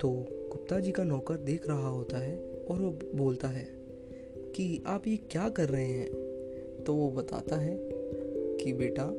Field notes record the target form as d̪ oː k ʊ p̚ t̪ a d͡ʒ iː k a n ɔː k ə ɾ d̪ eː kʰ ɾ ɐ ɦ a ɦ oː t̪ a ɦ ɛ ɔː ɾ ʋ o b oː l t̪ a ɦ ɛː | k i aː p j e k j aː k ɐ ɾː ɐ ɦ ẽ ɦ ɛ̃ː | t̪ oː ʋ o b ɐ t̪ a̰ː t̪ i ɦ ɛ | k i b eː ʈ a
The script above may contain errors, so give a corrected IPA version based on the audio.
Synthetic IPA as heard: t̪ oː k ʊ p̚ t̪ a d͡ʒ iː k a n ɔː k ə ɾ d̪ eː kʰ ɾ ɐ ɦ a ɦ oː t̪ a ɦ ɛ ɔː ɾ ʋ o b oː l t̪ a ɦ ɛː | k i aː p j e k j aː k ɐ ɾː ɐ ɦ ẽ ɦ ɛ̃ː | t̪ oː ʋ o b ɐ t̪ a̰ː t̪ a ɦ ɛ | k i b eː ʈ a